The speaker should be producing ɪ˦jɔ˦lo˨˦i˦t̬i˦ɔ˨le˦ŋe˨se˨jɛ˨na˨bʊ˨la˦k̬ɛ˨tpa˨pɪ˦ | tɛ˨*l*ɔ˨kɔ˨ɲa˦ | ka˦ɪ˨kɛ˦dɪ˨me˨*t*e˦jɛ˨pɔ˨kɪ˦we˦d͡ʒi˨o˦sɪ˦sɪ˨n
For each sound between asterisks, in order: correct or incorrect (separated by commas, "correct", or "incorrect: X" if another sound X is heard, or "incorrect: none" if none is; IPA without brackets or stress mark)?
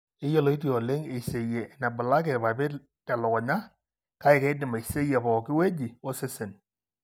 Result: correct, incorrect: s